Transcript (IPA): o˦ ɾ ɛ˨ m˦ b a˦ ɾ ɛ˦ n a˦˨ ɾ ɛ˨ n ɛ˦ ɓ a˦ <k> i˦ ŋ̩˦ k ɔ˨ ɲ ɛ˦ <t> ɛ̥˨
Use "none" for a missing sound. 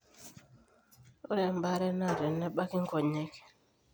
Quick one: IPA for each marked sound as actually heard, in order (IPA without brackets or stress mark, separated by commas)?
k, k